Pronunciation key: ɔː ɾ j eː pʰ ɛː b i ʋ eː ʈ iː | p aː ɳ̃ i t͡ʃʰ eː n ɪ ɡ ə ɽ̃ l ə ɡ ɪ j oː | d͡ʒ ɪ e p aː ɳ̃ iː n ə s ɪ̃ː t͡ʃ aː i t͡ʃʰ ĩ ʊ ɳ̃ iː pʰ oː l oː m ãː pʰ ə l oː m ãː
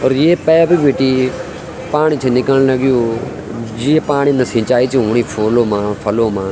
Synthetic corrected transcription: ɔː ɾ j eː p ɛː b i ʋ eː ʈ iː | p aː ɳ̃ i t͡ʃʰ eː n ɪ k ə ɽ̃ l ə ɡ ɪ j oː | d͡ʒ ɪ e p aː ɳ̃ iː n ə s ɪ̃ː t͡ʃ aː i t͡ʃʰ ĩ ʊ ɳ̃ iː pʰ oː l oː m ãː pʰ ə l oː m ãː